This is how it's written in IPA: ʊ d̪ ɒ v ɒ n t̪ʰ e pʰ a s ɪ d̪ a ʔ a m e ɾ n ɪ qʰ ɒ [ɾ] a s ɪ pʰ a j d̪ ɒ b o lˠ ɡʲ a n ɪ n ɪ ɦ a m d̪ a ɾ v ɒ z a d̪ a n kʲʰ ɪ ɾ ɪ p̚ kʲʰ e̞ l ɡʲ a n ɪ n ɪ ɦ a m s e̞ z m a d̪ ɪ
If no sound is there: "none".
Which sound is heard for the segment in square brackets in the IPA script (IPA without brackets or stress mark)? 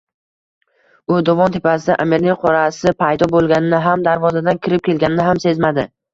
ɾ